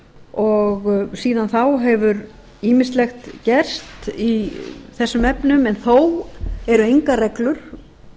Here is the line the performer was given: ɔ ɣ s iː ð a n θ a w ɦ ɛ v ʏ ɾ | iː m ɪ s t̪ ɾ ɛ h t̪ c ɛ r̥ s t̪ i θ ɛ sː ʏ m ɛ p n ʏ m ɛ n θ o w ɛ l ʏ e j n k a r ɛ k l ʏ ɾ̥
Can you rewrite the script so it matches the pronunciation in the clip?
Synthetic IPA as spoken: ɔ ɣ s iː ð a n θ a w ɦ ɛ v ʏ ɾ | iː m ɪ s t̪ l ɛ x t̪ c ɛ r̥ s t̪ i θ ɛ sː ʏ m ɛ p n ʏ m ɛ n θ o w ɛ ɾ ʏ e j ŋ k a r ɛ k l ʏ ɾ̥